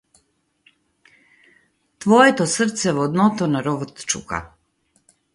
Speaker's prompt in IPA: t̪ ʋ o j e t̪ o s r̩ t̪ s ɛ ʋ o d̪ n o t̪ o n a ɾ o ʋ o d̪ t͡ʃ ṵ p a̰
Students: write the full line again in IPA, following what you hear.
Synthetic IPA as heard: t̪ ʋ o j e t̪ o s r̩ t̪ s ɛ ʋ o d̪ n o t̪ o n a ɾ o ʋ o t̪ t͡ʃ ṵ k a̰